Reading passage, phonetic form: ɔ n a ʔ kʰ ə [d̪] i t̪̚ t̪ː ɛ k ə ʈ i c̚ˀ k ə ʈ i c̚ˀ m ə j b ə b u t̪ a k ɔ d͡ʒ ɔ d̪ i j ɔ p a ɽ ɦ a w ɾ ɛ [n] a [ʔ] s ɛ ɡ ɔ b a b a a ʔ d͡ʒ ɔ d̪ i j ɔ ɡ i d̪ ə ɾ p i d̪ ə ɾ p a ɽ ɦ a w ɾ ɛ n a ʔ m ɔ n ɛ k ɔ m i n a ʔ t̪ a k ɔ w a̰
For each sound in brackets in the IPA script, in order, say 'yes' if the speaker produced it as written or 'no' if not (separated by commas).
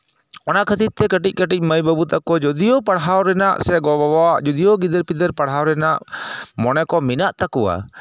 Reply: no, yes, yes